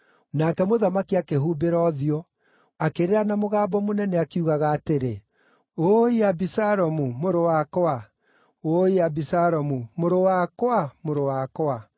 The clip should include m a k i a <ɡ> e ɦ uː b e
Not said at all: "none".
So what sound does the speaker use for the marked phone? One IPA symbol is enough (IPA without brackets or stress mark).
k